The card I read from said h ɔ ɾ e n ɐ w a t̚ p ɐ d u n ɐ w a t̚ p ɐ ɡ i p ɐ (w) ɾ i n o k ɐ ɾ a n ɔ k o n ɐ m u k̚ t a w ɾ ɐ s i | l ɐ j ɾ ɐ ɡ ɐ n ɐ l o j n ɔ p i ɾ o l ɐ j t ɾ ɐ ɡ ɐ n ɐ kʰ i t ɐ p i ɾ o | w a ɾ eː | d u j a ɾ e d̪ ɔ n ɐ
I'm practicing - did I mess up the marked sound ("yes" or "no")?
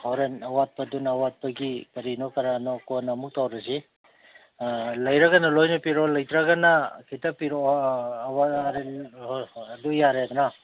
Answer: yes